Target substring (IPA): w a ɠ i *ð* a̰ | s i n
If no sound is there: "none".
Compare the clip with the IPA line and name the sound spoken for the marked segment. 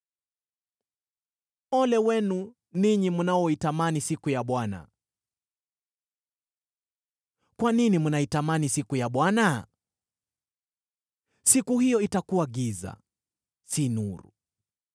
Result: z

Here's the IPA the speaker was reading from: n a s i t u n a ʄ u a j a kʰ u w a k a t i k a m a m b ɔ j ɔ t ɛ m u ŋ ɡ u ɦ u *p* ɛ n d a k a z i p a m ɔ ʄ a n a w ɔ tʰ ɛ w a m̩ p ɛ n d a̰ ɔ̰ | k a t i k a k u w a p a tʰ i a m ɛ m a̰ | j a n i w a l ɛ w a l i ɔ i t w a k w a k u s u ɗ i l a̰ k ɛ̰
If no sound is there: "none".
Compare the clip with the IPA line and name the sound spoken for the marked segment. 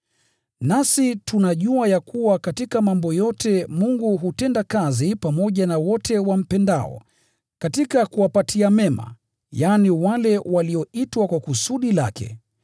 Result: t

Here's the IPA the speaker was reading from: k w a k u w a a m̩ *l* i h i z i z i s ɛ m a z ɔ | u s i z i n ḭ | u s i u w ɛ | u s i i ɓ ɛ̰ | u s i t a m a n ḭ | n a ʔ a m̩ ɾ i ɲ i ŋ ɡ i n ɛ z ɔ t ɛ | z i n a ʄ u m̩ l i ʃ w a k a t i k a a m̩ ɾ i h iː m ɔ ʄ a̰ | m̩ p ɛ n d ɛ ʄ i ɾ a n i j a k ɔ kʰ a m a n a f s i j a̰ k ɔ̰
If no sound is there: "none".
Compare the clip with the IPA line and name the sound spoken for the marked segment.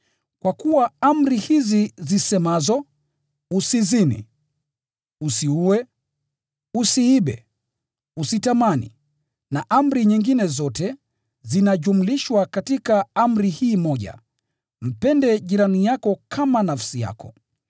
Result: ɾ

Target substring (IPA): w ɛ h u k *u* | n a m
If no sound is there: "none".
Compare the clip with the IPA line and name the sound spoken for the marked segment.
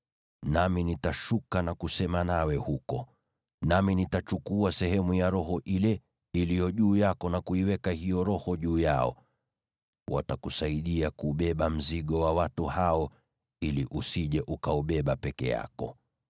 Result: ɔ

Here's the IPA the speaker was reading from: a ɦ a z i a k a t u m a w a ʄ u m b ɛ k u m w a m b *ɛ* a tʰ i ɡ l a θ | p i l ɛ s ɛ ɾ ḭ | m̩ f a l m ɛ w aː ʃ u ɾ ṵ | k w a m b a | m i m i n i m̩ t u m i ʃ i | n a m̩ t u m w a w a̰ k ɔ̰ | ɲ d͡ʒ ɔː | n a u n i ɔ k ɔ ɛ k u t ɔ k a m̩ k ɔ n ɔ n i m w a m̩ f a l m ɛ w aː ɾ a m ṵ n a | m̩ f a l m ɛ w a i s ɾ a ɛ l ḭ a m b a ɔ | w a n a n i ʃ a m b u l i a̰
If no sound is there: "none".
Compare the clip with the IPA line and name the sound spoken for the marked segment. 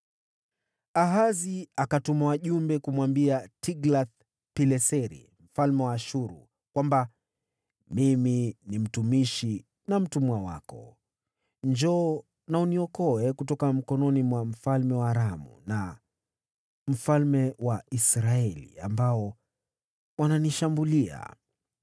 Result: i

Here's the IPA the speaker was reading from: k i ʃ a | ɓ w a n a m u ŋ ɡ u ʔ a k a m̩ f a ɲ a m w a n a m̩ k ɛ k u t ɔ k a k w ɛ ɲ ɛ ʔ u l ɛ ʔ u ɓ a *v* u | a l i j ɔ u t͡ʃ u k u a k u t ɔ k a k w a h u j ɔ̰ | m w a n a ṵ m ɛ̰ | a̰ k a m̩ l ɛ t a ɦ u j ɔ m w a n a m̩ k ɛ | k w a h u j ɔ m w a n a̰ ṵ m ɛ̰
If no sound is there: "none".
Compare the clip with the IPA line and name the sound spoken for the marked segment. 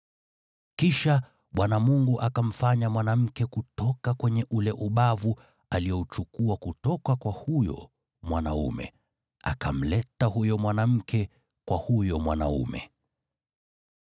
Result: v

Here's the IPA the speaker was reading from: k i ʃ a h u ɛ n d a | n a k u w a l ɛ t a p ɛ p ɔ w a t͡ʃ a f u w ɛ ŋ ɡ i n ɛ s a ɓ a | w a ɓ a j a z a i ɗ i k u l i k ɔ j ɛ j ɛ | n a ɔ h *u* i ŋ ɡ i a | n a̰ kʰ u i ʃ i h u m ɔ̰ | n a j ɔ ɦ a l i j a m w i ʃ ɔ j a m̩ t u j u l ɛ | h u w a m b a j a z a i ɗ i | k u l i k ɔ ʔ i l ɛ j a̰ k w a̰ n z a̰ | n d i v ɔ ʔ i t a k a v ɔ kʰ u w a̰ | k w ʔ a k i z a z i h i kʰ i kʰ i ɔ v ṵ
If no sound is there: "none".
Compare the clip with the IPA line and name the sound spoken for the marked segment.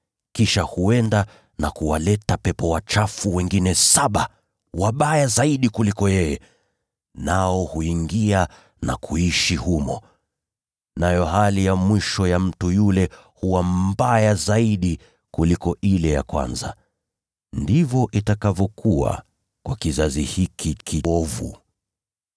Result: u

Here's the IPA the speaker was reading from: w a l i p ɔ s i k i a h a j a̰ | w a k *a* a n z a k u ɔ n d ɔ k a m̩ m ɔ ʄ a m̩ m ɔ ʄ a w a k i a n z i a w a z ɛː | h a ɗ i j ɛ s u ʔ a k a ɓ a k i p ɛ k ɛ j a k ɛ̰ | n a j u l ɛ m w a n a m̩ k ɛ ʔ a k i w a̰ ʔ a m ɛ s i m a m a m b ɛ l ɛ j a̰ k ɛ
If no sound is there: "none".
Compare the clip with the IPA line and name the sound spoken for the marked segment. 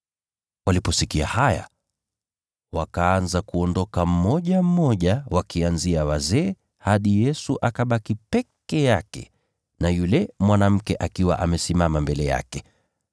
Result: a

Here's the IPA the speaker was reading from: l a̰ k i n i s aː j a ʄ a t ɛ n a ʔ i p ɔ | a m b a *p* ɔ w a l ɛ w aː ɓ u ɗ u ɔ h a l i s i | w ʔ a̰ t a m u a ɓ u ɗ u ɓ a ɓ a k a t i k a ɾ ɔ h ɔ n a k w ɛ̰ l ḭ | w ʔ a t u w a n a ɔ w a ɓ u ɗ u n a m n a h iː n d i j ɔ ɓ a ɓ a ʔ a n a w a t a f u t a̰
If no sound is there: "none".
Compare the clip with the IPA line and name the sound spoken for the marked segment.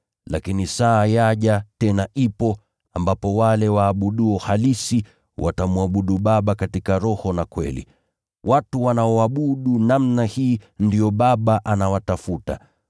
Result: p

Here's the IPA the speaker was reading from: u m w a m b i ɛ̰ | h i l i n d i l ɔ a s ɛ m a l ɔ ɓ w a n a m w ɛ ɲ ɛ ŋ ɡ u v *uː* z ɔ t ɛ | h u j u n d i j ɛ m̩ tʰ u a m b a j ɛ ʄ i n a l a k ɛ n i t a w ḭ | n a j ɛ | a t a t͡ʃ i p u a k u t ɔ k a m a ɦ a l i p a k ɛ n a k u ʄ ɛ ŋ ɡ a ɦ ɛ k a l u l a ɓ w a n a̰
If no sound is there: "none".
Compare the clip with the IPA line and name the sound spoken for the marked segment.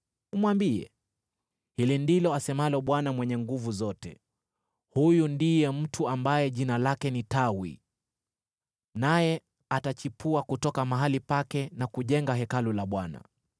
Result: u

